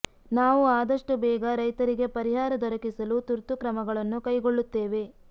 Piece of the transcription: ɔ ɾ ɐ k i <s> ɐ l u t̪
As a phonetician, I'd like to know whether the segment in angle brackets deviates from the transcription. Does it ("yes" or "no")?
no